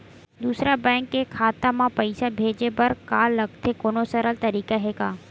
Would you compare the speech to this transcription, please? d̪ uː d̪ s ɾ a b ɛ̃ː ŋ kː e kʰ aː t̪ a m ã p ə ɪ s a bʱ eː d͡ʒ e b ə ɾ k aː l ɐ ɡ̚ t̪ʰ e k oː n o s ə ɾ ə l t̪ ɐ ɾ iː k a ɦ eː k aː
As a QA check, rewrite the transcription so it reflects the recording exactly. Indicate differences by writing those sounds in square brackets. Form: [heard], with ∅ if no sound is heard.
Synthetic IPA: d̪ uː [∅] s ɾ a b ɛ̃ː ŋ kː e kʰ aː t̪ a m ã p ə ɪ s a bʱ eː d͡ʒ e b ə ɾ k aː l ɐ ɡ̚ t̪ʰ e k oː n o s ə ɾ ə l t̪ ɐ ɾ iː k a ɦ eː k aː